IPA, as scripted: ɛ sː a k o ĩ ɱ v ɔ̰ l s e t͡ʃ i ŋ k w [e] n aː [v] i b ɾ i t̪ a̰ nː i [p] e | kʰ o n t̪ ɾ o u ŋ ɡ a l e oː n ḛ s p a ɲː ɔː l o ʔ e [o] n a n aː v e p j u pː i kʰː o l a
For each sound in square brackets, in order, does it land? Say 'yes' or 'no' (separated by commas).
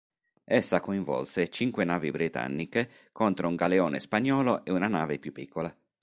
yes, yes, no, no